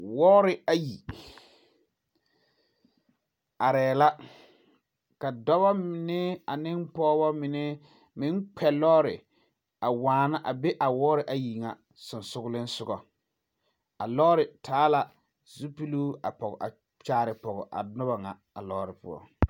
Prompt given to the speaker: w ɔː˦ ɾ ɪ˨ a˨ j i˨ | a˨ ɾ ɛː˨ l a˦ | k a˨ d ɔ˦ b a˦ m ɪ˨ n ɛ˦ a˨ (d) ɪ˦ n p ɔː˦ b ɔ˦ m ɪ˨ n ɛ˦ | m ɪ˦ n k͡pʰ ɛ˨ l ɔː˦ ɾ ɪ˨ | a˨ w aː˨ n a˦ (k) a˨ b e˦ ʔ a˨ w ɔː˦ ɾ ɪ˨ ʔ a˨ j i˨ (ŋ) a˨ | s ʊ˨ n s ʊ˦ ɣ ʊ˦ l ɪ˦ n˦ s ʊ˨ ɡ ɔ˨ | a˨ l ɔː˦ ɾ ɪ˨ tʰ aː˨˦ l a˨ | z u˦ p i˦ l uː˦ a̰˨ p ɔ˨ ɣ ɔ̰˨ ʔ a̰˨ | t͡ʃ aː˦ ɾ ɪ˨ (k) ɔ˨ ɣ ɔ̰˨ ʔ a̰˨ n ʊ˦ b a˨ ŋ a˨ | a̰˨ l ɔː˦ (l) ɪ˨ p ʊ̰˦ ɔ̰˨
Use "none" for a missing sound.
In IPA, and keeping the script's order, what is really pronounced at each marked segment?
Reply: n, ʔ, ŋ, p, ɾ

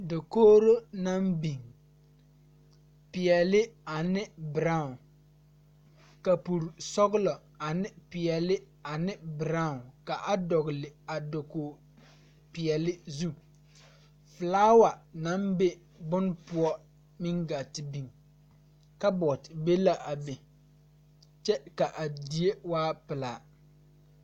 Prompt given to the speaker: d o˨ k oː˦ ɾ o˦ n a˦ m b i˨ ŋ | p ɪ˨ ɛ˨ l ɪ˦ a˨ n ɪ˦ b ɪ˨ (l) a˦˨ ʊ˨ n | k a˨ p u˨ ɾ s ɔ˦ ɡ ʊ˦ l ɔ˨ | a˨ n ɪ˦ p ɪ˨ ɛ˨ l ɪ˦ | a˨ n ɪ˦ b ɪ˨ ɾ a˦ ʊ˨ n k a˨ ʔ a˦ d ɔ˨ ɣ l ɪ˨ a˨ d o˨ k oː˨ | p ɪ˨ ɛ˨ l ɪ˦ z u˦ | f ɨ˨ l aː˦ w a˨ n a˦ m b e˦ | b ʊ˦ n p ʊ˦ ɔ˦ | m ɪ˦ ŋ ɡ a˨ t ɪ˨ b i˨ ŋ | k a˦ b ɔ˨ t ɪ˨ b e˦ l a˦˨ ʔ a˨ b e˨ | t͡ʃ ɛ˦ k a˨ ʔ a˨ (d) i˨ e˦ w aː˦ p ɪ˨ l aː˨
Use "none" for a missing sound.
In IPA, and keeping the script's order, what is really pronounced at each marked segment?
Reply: ɾ, d

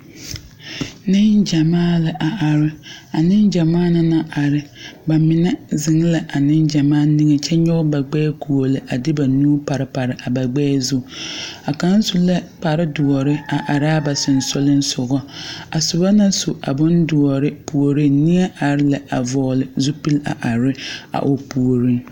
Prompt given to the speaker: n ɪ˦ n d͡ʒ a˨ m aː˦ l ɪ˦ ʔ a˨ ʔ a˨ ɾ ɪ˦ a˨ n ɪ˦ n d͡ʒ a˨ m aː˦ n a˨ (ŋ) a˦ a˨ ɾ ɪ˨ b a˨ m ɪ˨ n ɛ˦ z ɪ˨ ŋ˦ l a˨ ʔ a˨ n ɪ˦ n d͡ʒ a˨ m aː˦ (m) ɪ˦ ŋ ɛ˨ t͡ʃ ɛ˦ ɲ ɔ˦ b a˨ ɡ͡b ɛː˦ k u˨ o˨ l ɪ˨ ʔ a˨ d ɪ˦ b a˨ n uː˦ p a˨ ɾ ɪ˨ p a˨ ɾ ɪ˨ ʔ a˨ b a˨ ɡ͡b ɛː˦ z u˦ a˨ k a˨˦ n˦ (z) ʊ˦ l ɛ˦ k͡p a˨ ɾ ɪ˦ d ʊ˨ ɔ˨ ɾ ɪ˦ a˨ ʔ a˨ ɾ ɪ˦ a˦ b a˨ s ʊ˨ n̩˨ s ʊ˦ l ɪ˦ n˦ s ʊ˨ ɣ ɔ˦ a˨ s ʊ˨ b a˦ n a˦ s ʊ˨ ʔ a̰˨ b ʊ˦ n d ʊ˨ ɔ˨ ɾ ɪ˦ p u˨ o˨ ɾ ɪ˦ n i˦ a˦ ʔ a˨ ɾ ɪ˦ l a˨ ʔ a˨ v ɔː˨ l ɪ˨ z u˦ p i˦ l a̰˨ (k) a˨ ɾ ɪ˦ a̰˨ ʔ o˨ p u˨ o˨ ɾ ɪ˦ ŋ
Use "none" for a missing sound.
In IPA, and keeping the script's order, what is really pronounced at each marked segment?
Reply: n, n, s, ʔ

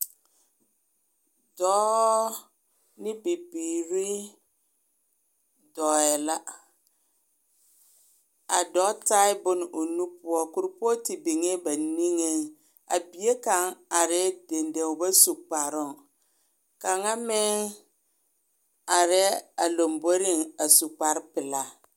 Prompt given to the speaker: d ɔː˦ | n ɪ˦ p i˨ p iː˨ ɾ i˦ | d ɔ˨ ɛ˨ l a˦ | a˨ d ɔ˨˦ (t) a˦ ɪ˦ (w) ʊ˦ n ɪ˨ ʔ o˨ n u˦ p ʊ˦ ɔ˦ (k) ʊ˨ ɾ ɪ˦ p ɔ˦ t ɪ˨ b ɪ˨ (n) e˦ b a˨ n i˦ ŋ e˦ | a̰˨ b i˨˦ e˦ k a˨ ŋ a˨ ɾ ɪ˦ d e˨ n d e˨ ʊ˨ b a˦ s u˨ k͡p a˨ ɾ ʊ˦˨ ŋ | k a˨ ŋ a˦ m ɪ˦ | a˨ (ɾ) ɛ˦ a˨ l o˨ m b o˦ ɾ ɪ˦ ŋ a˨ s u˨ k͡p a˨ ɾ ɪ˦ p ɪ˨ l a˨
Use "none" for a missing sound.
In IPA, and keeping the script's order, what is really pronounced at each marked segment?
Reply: t, b, k, ŋ, ɾ

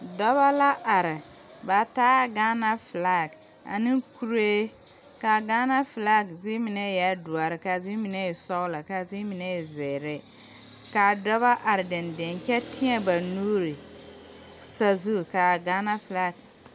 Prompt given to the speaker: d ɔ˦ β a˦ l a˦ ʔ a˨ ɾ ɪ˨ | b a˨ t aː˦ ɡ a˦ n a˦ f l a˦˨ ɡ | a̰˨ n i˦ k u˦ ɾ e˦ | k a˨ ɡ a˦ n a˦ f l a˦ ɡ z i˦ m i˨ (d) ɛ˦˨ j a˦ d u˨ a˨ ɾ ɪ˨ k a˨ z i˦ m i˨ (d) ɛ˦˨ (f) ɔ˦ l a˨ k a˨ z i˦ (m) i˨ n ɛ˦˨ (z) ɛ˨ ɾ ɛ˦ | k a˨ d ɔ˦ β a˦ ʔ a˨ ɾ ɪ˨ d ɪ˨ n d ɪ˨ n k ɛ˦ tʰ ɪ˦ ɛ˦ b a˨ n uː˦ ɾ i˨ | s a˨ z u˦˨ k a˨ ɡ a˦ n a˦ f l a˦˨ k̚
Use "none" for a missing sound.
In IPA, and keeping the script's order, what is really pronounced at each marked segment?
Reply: n, n, s, m, z

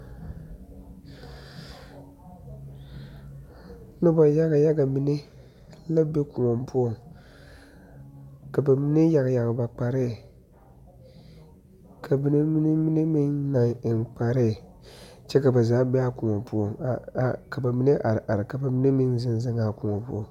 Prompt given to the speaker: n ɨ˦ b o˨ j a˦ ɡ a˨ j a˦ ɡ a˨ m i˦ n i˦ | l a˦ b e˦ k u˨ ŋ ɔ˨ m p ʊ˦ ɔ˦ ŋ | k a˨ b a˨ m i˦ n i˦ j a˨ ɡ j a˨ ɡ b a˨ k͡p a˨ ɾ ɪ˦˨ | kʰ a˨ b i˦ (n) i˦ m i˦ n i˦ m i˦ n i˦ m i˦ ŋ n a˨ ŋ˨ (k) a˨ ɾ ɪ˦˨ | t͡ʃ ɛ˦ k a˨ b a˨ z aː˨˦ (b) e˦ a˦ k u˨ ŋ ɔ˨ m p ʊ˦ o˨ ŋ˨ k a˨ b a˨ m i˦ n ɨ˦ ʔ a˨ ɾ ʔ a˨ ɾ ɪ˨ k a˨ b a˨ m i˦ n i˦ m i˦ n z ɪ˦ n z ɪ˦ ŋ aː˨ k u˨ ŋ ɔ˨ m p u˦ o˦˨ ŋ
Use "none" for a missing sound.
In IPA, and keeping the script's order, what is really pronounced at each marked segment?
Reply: n, k͡p, b

